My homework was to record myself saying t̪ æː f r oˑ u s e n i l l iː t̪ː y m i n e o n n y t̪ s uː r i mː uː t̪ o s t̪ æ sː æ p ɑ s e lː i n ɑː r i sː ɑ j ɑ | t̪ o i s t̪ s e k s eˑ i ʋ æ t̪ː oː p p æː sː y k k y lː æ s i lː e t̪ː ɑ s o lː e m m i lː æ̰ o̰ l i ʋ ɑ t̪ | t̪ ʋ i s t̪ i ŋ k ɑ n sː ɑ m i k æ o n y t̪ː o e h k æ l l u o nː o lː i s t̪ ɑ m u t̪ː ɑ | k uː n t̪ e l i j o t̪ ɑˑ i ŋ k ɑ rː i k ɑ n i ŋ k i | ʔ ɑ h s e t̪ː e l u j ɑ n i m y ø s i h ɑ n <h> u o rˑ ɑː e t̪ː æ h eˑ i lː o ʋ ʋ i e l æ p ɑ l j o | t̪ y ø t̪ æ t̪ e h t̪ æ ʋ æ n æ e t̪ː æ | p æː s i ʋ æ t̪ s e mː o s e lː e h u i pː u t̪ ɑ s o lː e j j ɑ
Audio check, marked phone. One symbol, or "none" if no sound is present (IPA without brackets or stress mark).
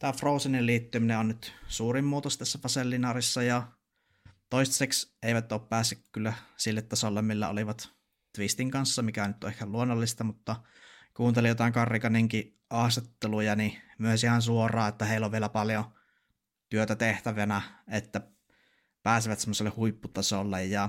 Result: s